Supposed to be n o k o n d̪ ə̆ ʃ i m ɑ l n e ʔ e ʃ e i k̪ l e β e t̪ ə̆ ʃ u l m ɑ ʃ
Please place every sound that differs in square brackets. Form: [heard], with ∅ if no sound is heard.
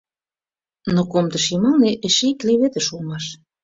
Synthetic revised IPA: n o k o [m] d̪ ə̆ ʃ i m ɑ l n e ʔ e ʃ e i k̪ l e β e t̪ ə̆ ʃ u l m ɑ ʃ